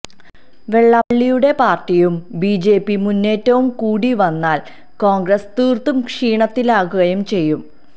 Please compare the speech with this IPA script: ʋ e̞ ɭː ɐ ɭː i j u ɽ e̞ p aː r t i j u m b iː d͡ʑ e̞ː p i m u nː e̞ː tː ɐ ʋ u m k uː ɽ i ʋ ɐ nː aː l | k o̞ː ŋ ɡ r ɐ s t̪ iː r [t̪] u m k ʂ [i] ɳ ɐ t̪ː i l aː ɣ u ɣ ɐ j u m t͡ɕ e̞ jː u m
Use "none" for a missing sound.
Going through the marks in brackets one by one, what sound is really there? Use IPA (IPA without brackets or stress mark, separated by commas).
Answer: t̪, iː